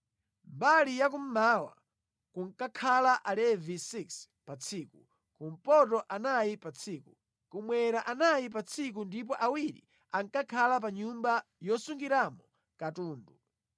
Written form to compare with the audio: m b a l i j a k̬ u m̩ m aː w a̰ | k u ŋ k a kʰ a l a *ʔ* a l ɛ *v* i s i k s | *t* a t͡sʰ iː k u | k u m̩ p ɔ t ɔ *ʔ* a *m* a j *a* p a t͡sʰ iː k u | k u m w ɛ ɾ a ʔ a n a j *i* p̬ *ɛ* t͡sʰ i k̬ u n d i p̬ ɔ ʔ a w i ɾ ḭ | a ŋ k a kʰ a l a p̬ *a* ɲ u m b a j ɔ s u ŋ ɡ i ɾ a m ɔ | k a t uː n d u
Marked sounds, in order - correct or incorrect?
correct, correct, incorrect: p, correct, incorrect: n, incorrect: i, correct, incorrect: a, correct

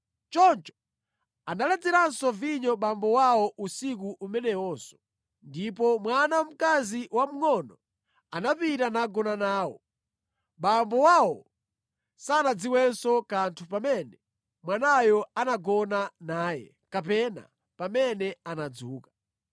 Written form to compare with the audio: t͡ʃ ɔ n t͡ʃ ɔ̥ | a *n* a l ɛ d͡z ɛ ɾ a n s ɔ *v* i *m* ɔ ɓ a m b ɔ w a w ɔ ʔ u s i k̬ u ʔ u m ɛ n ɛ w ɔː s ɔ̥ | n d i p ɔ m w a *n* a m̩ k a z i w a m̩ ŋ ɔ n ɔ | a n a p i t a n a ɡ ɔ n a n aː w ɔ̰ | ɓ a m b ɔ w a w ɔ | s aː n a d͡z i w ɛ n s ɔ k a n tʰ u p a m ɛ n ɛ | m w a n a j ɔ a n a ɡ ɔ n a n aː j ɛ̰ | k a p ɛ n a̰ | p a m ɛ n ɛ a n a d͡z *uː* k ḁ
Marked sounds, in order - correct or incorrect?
correct, correct, incorrect: ɲ, correct, correct

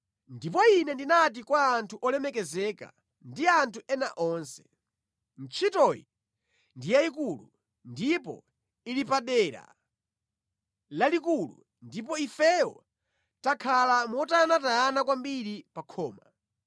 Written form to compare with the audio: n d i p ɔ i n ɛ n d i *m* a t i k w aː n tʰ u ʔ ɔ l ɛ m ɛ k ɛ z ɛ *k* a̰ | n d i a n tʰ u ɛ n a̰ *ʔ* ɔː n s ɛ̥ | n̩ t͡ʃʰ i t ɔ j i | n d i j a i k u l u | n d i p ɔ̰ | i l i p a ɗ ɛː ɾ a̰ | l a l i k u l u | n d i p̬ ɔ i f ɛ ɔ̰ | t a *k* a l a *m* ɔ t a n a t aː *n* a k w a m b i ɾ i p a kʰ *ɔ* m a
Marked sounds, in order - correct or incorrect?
incorrect: n, correct, correct, incorrect: kʰ, correct, correct, incorrect: ɔː

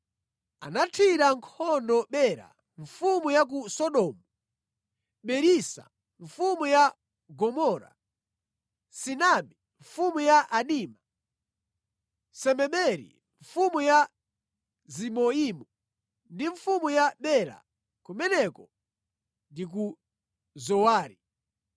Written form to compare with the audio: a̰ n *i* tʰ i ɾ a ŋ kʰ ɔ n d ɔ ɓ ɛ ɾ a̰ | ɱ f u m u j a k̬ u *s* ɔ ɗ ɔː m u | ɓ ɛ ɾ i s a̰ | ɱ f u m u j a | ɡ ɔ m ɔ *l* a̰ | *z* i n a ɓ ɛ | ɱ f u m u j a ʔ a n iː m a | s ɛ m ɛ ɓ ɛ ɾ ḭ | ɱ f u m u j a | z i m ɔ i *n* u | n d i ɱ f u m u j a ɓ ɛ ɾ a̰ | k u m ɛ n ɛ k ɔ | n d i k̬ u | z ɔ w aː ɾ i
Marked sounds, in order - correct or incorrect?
incorrect: a, correct, incorrect: ɾ, incorrect: s, incorrect: m

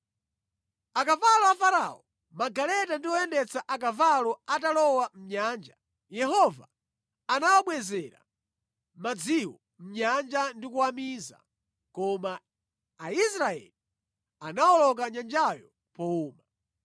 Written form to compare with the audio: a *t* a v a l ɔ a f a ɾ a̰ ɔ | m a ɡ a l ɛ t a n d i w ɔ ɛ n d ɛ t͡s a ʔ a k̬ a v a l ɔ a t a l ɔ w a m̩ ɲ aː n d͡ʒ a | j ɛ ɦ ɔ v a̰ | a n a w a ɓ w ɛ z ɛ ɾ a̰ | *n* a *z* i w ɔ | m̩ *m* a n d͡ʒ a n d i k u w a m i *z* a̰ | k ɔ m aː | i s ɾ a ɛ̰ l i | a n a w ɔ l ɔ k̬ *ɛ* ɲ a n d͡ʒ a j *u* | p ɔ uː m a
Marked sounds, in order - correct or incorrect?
incorrect: k, incorrect: m, incorrect: d͡z, incorrect: ɲ, correct, incorrect: a, incorrect: ɔ

